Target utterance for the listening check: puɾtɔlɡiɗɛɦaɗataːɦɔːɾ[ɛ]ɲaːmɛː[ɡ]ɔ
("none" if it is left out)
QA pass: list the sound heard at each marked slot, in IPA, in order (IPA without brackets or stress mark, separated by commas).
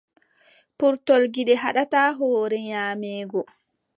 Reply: ɛ, ɡ